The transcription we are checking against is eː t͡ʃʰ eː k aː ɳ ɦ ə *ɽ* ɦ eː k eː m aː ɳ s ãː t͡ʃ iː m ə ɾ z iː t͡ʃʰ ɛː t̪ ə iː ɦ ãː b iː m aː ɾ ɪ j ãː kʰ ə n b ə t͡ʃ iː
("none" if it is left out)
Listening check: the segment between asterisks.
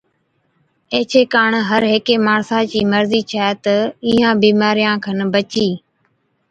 ɾ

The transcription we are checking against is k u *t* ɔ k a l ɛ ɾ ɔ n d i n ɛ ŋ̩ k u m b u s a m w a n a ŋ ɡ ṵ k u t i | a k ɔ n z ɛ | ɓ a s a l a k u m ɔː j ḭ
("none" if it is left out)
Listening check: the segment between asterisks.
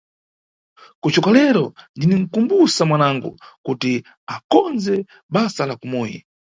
t͡ʃ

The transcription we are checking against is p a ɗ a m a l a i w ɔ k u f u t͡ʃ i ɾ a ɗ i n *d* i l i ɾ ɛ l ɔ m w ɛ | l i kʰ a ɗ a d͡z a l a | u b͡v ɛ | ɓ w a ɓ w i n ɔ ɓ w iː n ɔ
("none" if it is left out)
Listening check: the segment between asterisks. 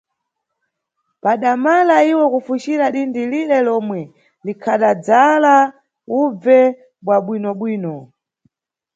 d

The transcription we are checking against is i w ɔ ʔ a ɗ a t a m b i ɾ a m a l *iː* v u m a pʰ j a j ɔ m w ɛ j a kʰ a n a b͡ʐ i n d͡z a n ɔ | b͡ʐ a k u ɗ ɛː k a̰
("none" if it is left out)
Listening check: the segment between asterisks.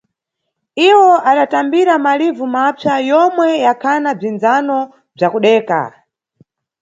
i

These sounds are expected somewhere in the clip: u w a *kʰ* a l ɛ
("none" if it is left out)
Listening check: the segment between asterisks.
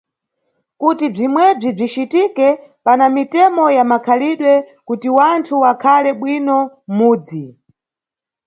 kʰ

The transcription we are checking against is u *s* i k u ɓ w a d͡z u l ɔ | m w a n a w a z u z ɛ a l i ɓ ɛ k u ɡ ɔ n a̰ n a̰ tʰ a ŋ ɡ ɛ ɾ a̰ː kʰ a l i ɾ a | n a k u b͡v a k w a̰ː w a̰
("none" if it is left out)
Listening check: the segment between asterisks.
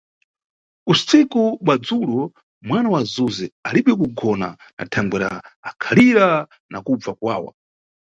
s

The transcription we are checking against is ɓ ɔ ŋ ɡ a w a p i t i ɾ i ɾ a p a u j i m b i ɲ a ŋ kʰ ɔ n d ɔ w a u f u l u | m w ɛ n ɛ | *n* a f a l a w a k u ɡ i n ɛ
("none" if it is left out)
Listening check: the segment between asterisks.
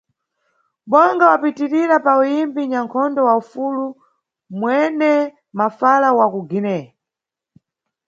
m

